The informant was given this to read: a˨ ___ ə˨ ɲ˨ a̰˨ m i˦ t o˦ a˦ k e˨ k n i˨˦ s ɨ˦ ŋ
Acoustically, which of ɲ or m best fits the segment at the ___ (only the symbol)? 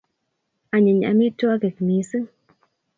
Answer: ɲ